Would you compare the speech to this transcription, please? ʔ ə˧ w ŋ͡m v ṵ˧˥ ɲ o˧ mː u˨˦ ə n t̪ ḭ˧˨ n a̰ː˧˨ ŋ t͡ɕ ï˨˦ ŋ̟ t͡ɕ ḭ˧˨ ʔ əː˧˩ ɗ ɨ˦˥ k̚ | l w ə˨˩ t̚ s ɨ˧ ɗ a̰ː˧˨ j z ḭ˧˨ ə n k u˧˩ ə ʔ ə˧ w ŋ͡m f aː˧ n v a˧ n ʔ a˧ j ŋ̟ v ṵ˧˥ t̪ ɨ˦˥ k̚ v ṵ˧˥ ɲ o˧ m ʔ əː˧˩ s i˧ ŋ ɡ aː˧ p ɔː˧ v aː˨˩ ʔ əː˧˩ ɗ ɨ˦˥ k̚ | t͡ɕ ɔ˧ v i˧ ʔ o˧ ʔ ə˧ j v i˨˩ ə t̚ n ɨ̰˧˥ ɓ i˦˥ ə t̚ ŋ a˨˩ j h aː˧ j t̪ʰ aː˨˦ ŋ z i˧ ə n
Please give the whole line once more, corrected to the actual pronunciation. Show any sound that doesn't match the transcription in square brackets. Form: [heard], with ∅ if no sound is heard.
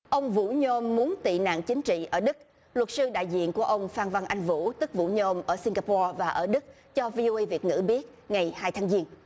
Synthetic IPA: ʔ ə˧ w ŋ͡m v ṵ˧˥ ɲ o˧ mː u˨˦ ə n t̪ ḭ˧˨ n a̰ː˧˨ ŋ t͡ɕ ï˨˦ ŋ̟ t͡ɕ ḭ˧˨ ʔ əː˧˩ ɗ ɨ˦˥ k̚ | l w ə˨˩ t̚ s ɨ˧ ɗ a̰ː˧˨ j z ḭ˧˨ ə n k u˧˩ ə ʔ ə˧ w ŋ͡m f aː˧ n v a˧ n ʔ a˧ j ŋ̟ v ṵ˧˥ t̪ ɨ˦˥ k̚ v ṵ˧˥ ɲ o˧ m ʔ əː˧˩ s i˧ ŋ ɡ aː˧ p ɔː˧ v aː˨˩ ʔ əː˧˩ ɗ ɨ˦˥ k̚ | t͡ɕ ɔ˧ v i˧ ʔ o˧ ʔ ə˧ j v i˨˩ ə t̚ [ŋ] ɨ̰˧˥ ɓ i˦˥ ə t̚ ŋ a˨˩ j h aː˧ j t̪ʰ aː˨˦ ŋ z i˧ ə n